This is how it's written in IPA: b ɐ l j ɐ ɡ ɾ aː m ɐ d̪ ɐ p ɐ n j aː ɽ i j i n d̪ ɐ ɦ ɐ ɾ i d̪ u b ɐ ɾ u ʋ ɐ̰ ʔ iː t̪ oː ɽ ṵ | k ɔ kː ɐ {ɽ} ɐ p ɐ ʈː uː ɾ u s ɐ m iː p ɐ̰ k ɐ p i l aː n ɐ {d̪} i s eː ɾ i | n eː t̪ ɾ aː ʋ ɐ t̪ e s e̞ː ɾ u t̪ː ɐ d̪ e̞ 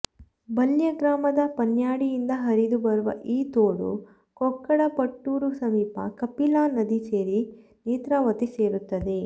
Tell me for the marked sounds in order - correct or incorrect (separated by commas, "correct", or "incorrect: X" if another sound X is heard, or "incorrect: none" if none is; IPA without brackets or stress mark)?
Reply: correct, correct